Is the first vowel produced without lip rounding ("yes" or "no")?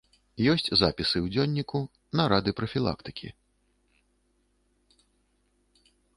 no